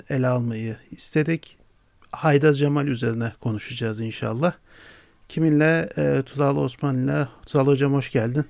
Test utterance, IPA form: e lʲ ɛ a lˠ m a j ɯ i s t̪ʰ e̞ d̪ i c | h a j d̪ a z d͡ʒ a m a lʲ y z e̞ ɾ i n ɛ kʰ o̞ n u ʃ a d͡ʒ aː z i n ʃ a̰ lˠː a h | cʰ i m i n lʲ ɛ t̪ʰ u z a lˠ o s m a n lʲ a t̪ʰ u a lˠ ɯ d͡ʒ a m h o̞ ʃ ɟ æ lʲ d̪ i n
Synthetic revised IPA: e lʲ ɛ a lˠ m a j ɯ i s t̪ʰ e̞ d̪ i c | h a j d̪ a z d͡ʒ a m a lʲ y z e̞ ɾ i n ɛ kʰ o̞ n u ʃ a d͡ʒ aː z i n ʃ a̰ lˠː a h | cʰ i m i n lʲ ɛ t̪ʰ u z a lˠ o s m a n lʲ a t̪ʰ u a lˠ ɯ d͡ʒ a m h o̞ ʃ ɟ æ lʲ d̪ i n